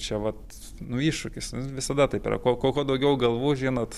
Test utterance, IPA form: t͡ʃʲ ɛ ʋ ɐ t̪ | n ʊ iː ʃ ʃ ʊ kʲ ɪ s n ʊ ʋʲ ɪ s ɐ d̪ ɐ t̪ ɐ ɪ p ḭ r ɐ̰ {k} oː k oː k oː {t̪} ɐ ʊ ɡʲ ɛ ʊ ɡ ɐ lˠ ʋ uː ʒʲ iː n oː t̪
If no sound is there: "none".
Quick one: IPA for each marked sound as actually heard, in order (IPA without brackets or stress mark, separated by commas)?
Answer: k, d̪